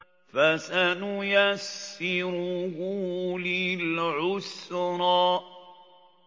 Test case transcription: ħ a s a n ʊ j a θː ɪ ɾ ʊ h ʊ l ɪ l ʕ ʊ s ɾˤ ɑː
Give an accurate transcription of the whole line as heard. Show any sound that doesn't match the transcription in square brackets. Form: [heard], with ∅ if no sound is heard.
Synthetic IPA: [f] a s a n ʊ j a [sː] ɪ ɾ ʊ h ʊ l ɪ l ʕ ʊ s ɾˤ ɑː